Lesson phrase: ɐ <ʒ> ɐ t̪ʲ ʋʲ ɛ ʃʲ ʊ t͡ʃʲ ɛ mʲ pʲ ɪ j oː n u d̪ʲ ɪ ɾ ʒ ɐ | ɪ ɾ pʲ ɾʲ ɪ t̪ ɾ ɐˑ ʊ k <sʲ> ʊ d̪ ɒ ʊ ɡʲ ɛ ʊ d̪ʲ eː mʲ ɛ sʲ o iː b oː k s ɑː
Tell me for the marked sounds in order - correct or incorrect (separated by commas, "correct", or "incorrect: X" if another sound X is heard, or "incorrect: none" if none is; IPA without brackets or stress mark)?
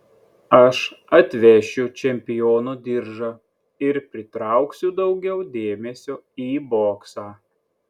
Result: incorrect: ʃ, correct